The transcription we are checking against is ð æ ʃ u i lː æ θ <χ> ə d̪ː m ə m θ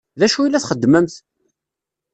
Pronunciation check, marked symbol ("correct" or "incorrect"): correct